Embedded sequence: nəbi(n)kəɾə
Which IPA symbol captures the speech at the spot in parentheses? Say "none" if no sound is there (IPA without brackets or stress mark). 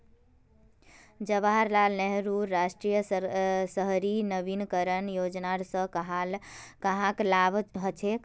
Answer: n